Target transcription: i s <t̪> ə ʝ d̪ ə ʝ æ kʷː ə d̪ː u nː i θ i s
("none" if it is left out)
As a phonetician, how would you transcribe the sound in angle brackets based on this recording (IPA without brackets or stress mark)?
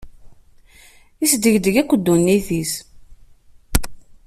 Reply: d̪